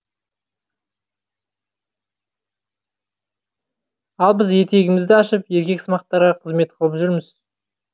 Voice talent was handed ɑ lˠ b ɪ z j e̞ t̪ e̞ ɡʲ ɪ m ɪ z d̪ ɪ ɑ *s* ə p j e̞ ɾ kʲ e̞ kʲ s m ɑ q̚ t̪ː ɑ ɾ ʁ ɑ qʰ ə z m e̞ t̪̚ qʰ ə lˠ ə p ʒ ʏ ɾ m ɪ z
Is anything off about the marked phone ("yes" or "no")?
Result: yes